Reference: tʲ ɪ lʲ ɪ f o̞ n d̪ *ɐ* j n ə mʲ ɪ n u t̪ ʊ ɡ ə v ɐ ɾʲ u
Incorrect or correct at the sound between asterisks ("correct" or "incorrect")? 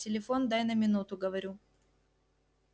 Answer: incorrect